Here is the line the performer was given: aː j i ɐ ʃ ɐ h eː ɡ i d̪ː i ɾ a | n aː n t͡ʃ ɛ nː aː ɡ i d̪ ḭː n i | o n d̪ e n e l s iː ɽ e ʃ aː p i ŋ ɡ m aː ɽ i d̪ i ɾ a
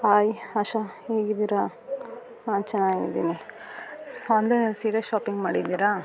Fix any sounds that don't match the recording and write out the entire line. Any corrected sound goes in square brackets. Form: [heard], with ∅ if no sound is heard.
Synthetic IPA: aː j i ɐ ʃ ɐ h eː ɡ i [d̪] i ɾ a | n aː n t͡ʃ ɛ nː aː ɡ i d̪ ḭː n i | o n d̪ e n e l s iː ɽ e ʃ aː p i ŋ ɡ m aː ɽ i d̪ i ɾ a